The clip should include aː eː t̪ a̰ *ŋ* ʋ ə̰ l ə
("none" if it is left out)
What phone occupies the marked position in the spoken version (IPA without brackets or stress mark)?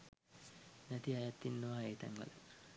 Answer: ŋ